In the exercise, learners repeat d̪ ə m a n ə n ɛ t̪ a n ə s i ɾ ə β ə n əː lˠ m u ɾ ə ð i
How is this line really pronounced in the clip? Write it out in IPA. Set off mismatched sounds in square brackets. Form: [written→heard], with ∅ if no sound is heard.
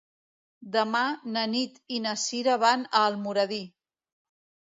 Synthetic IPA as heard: d̪ ə m a n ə n [ɛ→i] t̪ [a→i] n ə s i ɾ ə β [ə→a] n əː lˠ m u ɾ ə ð i